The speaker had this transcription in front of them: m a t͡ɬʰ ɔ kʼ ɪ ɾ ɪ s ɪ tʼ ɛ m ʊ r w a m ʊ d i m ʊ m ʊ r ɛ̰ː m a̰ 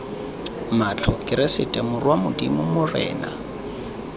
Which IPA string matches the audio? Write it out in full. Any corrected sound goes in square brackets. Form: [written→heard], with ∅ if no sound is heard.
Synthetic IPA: m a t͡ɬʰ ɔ kʼ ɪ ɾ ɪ s ɪ tʼ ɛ m ʊ r w a m ʊ d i m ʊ m ʊ r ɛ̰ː [m→n] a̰